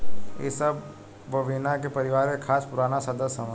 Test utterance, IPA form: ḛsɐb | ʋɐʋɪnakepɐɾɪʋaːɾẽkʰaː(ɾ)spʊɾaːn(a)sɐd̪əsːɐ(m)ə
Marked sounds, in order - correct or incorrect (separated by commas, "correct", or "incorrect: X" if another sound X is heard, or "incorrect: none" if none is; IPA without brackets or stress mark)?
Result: incorrect: none, correct, correct